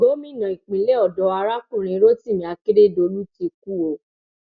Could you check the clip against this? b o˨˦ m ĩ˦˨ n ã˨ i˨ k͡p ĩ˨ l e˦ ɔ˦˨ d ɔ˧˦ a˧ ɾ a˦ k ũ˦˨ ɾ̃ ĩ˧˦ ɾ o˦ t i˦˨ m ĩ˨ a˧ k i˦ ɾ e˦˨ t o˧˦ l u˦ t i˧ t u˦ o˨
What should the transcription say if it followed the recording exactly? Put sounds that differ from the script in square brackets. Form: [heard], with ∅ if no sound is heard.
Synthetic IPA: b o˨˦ m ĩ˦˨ n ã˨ i˨ k͡p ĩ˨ l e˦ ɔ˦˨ d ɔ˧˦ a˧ ɾ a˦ k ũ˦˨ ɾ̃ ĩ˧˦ ɾ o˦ t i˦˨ m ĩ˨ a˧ k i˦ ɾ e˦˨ [d] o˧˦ l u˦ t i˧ [k] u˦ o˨